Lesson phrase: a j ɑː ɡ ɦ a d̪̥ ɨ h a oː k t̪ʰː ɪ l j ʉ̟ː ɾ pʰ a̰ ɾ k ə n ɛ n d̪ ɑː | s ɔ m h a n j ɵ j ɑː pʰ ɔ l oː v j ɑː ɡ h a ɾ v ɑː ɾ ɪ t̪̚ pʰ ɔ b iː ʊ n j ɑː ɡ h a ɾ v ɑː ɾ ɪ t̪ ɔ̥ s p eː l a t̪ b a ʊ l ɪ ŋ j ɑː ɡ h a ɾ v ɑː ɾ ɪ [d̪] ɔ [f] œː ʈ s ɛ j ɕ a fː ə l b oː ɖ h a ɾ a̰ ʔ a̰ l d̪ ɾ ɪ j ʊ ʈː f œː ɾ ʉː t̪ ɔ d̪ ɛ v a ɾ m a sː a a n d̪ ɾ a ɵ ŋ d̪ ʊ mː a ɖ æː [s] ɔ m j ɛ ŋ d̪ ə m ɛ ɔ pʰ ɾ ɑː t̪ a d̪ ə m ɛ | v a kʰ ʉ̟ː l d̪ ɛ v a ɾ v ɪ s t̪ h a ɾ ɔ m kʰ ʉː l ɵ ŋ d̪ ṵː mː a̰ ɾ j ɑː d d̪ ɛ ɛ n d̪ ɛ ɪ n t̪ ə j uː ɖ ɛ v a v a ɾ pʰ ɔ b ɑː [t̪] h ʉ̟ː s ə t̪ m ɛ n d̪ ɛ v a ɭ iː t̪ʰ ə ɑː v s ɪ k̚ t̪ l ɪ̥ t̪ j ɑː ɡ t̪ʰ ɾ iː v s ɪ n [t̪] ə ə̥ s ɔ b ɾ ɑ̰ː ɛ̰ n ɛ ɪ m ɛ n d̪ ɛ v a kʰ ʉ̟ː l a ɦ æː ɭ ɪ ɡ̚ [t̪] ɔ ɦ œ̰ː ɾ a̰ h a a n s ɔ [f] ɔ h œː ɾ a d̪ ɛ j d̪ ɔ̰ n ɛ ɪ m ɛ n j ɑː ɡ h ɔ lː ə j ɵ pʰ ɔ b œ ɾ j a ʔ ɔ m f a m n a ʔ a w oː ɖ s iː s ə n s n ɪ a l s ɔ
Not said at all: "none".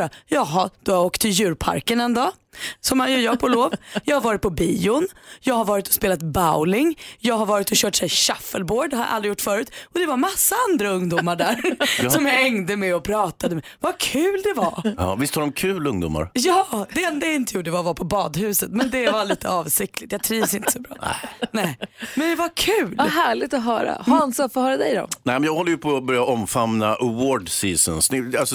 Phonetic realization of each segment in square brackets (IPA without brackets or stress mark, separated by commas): t̪, ɕ, s, d̪, t̪, t̪, f